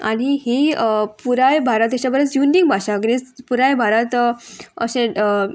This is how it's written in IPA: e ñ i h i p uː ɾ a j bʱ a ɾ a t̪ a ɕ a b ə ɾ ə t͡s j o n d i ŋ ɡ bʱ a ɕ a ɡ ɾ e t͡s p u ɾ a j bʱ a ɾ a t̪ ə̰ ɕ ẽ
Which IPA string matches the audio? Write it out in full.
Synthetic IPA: a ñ i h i p u ɾ a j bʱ a ɾ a t̪ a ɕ a b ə ɾ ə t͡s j u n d i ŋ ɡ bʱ a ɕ a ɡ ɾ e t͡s p u ɾ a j bʱ a ɾ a t̪ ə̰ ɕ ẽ